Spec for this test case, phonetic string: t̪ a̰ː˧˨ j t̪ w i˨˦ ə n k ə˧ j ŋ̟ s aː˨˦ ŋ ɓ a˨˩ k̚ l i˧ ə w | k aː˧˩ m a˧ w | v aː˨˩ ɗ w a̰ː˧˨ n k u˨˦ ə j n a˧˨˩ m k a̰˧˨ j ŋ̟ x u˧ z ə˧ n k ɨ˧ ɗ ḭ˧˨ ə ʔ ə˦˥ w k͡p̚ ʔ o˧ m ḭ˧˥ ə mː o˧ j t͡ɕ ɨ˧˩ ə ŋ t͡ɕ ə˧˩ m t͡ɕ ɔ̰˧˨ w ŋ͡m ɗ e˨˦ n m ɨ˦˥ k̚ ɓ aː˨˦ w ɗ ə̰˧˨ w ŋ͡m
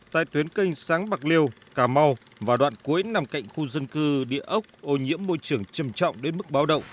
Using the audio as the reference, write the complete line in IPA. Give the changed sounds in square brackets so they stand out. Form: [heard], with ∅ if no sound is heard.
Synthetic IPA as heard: t̪ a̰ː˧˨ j t̪ w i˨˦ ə n k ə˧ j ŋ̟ s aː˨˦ ŋ ɓ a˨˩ k̚ l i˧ ə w | k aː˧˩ m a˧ w | v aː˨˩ ɗ w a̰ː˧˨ n k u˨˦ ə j n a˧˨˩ m k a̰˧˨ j ŋ̟ x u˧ z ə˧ n k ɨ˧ ɗ ḭ˧˨ ə ʔ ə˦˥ w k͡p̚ ʔ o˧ [ɲ] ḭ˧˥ ə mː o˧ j t͡ɕ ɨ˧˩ ə ŋ t͡ɕ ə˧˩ m t͡ɕ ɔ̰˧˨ w ŋ͡m ɗ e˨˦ n m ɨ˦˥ k̚ ɓ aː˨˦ w ɗ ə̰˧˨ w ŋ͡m